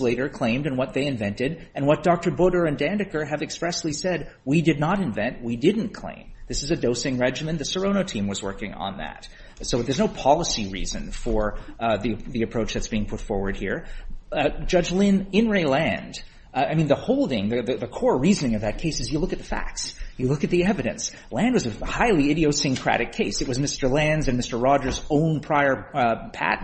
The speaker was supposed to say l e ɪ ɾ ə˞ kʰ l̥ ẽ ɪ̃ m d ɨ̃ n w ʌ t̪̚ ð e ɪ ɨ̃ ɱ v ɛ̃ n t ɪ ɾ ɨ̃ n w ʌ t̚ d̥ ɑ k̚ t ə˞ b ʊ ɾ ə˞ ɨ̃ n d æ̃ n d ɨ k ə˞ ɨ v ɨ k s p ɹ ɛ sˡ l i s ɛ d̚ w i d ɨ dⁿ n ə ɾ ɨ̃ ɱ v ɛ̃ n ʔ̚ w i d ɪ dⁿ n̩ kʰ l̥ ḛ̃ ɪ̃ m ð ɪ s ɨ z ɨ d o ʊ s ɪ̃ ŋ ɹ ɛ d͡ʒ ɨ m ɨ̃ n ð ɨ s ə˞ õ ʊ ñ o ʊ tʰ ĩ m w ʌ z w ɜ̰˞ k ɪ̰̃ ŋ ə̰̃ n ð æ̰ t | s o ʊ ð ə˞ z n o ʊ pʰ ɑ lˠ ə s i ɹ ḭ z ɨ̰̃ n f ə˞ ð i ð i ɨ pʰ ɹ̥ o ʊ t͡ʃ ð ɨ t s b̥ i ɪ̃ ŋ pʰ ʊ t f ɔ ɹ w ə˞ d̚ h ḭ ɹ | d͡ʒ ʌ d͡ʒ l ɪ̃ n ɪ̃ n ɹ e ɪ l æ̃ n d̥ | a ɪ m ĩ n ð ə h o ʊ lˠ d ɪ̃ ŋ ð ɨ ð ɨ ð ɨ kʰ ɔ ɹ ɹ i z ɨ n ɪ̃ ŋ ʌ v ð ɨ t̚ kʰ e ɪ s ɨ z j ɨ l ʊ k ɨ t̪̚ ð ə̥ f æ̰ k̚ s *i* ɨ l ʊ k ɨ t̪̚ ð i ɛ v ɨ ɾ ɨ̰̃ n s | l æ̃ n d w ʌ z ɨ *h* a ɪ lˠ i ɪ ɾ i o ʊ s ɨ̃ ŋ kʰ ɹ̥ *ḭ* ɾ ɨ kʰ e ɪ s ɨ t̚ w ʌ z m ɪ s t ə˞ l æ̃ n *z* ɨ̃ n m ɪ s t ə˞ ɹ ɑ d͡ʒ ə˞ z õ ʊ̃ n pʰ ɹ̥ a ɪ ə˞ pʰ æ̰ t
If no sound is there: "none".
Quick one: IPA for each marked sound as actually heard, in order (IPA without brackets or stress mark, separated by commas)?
j, h, æ̰, z